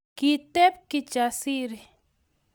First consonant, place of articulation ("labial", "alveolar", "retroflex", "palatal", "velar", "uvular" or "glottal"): velar